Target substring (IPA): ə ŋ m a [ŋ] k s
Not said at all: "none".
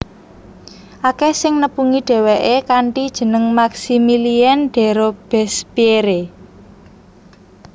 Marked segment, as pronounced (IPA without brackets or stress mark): none